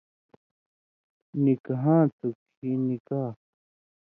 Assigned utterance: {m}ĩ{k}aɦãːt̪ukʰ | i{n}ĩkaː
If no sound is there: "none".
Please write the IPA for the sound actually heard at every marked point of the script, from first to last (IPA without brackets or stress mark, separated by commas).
n, k, n